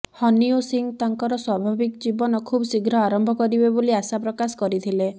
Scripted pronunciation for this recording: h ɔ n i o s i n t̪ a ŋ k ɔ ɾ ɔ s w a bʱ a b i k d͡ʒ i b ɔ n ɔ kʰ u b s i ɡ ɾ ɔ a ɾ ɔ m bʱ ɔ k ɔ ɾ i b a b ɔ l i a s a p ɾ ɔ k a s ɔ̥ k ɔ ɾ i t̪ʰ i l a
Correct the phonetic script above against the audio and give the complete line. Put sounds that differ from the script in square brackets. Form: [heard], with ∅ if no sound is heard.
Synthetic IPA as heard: h ɔ n i o s i [ŋ] t̪ a ŋ k ɔ ɾ ɔ s w a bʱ a b i k d͡ʒ i b ɔ n ɔ kʰ u b s i ɡ ɾ ɔ a ɾ ɔ m bʱ ɔ k ɔ ɾ i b [e] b [o] l i a s a p ɾ ɔ k a s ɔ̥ k ɔ ɾ i t̪ʰ i l [e]

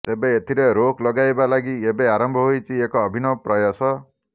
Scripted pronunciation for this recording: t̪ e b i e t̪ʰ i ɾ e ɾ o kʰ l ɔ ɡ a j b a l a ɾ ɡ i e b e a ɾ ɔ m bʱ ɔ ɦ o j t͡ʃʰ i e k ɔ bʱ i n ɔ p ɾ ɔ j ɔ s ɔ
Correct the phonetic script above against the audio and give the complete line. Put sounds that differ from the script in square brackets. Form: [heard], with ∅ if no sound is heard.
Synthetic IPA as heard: t̪ e b [e] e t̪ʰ i ɾ e ɾ o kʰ l ɔ ɡ a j b a l a [∅] ɡ i e b e a ɾ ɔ m bʱ ɔ ɦ o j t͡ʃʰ i e k [ɔː] bʱ i n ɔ p ɾ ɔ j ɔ s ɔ

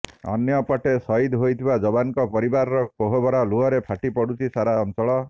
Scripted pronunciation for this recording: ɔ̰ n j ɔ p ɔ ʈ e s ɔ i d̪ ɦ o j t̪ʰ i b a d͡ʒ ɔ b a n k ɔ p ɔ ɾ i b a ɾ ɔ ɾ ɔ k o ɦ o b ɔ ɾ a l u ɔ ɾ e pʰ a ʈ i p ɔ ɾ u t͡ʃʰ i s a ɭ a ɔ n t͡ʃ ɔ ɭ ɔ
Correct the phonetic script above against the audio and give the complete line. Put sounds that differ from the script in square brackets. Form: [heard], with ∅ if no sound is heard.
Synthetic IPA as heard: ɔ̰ n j ɔ p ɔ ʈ e s ɔ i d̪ ɦ o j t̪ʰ i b a d͡ʒ ɔ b a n k ɔ p ɔ ɾ i b a ɾ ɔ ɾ ɔ k o ɦ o b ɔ ɾ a l u ɔ ɾ e pʰ a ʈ i p ɔ [ɽ] u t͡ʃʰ i s a [ɾ] a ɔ n t͡ʃ ɔ ɭ ɔ

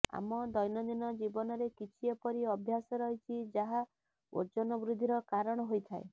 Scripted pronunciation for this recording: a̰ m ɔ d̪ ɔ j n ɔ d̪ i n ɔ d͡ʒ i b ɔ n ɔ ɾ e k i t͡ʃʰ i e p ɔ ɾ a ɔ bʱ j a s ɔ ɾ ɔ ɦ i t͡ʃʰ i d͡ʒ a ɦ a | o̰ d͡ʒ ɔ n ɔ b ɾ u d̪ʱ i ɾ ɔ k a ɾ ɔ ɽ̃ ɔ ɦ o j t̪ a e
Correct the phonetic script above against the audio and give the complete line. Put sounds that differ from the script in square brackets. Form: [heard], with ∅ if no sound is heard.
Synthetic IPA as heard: a̰ m ɔ d̪ ɔ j n ɔ d̪ i n ɔ d͡ʒ i b ɔ n ɔ ɾ e k i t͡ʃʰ i e p ɔ ɾ [i] ɔ bʱ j a s ɔ ɾ ɔ ɦ i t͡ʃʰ i d͡ʒ a ɦ a | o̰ d͡ʒ ɔ n ɔ b ɾ u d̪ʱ i ɾ ɔ k a ɾ ɔ ɽ̃ ɔ ɦ o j [t̪ʰ] a e

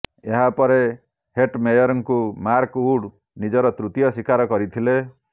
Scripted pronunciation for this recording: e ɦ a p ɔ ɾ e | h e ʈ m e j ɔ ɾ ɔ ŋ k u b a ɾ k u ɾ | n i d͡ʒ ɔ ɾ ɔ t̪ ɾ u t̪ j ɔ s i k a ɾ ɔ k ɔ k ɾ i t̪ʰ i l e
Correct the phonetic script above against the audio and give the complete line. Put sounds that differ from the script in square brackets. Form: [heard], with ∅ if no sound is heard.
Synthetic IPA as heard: e ɦ a p ɔ ɾ e | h e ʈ m e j ɔ ɾ ɔ ŋ k u [m] a ɾ k u [ɽ] | n i d͡ʒ ɔ ɾ ɔ t̪ ɾ u t̪ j ɔ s i k a ɾ ɔ k ɔ [∅] ɾ i t̪ʰ i l e

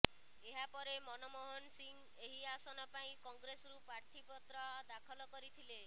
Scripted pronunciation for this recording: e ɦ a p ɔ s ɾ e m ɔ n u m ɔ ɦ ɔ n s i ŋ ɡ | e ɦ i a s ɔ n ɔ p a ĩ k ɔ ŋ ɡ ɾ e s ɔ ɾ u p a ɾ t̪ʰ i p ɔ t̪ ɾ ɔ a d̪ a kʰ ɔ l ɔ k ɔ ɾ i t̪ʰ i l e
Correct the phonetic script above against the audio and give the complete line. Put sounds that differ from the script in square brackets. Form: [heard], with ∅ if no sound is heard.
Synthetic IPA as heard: e ɦ a p ɔ [∅] ɾ e m ɔ n [ɔ] m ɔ ɦ ɔ n s i ŋ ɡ | e ɦ i a s ɔ n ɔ p a ĩ k ɔ ŋ ɡ ɾ e s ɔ ɾ u p a ɾ t̪ʰ i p ɔ t̪ ɾ ɔ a d̪ a kʰ ɔ l ɔ k ɔ ɾ i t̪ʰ i l e

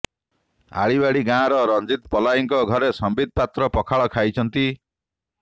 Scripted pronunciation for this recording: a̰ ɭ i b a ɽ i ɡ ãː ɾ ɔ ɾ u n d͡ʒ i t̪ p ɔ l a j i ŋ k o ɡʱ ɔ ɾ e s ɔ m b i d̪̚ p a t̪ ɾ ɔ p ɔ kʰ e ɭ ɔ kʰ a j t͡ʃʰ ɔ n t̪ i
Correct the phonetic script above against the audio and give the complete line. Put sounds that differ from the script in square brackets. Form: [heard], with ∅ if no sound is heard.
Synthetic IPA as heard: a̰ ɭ i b a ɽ i ɡ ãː ɾ ɔ ɾ [ɔ] n d͡ʒ i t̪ p ɔ l a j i ŋ k [ɔ] ɡʱ ɔ ɾ e s ɔ m b i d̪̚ p a t̪ ɾ ɔ p ɔ kʰ [a] ɭ ɔ kʰ a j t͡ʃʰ ɔ n t̪ i

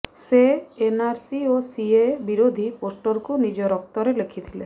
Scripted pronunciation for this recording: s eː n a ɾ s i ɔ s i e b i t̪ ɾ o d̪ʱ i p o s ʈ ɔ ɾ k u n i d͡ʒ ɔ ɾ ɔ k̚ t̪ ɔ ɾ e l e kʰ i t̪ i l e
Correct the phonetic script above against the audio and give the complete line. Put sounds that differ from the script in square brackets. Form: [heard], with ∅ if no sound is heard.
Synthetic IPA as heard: s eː n a ɾ s i [o] s i e b i [∅] ɾ o d̪ʱ i p o s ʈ ɔ ɾ k u n i d͡ʒ ɔ ɾ ɔ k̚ t̪ ɔ ɾ e l e kʰ i [t̪ʰ] i l e

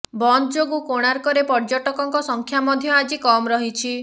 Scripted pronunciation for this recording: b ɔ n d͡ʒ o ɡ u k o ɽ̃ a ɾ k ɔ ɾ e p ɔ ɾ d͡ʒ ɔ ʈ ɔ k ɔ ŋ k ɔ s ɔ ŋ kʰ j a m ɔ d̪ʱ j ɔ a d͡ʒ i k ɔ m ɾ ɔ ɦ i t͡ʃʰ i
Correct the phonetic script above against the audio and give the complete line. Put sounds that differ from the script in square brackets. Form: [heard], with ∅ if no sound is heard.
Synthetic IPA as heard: b ɔ n d͡ʒ o ɡ u k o ɽ̃ a ɾ k ɔ ɾ e p ɔ ɾ d͡ʒ ɔ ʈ ɔ k ɔ ŋ k ɔ s ɔ ŋ kʰ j a m ɔ d̪ʱ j ɔ a d͡ʒ i k ɔ m ɾ ɔ ɦ i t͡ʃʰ i

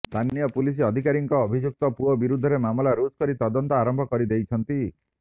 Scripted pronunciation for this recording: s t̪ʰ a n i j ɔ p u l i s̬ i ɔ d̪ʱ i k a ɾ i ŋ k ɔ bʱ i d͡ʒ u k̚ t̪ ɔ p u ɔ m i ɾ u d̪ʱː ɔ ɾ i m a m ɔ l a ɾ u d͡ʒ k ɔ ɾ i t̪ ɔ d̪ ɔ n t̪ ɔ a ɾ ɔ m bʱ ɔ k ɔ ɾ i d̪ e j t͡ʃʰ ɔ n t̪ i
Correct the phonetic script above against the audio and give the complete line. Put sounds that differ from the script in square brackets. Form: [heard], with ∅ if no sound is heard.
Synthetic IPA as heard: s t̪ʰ a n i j ɔ p u l i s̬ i ɔ d̪ʱ i k a ɾ i ŋ k [ɔː] bʱ i d͡ʒ u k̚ t̪ ɔ p u ɔ [b] i ɾ u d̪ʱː ɔ ɾ [e] m a m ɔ l a ɾ u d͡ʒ k ɔ ɾ i t̪ ɔ d̪ ɔ n t̪ ɔ a ɾ ɔ m bʱ ɔ k ɔ ɾ i d̪ e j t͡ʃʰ ɔ n t̪ i

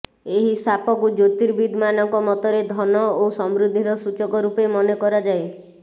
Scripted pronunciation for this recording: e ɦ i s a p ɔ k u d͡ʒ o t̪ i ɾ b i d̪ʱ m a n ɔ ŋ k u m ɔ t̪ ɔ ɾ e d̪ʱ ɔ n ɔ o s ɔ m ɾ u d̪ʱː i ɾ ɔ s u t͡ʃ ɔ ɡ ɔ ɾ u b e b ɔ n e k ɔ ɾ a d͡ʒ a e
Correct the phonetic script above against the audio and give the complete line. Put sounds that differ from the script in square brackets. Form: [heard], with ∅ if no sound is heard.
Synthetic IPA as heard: e ɦ i s a p ɔ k u d͡ʒ o t̪ i ɾ b i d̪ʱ m a n ɔ ŋ k [ɔ] m ɔ t̪ ɔ ɾ e d̪ʱ ɔ n ɔ o s ɔ m ɾ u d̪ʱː i ɾ ɔ s u t͡ʃ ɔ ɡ ɔ ɾ u [p] e [m] ɔ n e k ɔ ɾ a d͡ʒ a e

